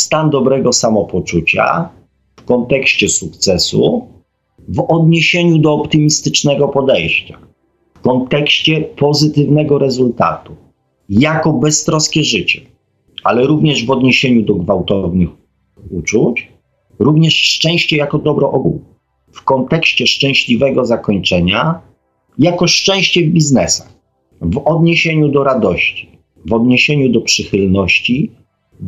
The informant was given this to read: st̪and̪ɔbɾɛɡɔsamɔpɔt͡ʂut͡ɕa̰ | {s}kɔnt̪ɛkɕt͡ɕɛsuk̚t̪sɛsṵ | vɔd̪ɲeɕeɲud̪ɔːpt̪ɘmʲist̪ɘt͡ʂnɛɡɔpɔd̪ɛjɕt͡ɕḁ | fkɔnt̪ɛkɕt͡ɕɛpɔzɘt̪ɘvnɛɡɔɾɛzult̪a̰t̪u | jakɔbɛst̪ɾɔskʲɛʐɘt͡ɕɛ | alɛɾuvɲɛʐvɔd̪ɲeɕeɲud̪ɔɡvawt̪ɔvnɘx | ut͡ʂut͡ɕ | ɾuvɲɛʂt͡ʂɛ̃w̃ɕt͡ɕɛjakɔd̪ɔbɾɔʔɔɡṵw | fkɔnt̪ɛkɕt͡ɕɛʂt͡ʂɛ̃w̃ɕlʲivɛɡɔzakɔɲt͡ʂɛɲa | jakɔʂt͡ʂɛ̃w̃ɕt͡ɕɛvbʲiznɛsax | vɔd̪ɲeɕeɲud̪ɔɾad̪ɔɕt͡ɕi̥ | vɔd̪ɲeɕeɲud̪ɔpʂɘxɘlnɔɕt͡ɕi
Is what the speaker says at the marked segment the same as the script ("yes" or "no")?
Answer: no